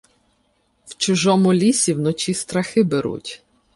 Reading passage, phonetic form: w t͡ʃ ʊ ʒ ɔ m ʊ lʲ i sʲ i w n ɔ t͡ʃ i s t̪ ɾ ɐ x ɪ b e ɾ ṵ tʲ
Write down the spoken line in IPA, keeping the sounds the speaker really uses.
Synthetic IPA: w t͡ʃ ʊ ʒ ɔ m ʊ lʲ i sʲ i w n ɔ t͡ʃ i s t̪ ɾ ɐ x ɪ b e ɾ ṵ tʲ